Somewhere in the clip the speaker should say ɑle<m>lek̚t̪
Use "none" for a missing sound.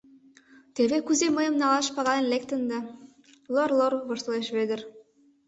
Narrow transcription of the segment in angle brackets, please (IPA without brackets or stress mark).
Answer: n